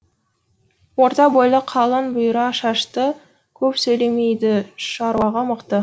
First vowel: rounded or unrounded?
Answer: rounded